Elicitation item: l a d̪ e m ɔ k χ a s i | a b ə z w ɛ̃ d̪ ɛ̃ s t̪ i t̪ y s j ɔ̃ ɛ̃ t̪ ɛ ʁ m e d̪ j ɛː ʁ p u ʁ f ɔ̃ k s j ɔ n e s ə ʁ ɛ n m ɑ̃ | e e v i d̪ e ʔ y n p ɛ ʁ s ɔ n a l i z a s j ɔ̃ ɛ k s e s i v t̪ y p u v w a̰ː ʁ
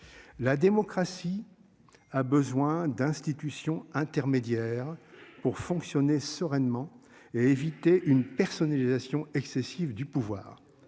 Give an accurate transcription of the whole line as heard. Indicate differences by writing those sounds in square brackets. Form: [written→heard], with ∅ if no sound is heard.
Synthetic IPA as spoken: l a d̪ e m ɔ k χ a s i | a b ə z w ɛ̃ d̪ ɛ̃ s t̪ i t̪ y s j ɔ̃ ɛ̃ t̪ ɛ ʁ m e d̪ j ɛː ʁ p u ʁ f ɔ̃ k s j ɔ n e s ə ʁ ɛ n m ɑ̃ | e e v i [d̪→t̪] e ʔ y n p ɛ ʁ s ɔ n a l i z a s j ɔ̃ ɛ k s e s i v [t̪→d̪] y p u v w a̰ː ʁ